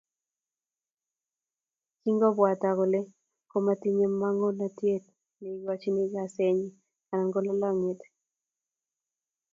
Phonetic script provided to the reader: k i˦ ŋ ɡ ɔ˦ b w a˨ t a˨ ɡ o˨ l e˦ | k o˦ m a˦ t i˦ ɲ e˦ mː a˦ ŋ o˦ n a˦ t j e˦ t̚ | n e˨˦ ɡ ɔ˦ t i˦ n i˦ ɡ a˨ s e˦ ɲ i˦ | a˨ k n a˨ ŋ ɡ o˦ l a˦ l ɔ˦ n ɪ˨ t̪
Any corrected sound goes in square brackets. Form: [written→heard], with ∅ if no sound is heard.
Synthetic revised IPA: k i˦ ŋ ɡ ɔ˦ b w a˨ t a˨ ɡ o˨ l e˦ | k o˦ m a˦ t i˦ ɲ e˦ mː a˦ ŋ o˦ n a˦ t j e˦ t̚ | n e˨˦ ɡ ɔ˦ [t→t͡ʃ] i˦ n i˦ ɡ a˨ s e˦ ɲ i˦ | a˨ [k→∅] n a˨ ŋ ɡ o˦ l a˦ l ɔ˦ [n→ŋ] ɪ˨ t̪